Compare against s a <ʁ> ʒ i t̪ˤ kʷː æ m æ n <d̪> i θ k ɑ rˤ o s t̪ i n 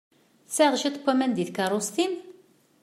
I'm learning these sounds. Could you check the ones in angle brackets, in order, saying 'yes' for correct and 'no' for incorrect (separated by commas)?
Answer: yes, yes